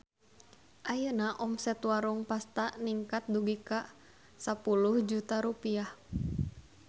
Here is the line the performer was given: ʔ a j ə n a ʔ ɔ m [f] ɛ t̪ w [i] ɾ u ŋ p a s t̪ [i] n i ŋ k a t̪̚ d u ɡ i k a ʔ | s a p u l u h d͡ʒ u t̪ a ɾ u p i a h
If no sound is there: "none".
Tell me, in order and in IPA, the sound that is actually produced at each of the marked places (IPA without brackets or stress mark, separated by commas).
s, a, a